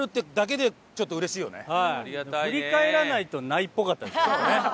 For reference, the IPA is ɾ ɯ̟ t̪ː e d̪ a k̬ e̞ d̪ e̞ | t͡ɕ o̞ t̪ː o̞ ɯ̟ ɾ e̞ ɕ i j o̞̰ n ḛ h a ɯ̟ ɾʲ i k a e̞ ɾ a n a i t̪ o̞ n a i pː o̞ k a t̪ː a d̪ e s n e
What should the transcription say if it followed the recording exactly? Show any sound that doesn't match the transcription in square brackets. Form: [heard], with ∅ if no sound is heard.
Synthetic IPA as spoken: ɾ ɯ̟ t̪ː e d̪ a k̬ e̞ d̪ e̞ | t͡ɕ o̞ t̪ː o̞ ɯ̟ ɾ e̞ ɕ [iː] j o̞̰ n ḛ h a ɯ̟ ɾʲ i k a e̞ ɾ a n a i t̪ o̞ n a i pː o̞ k a t̪ː a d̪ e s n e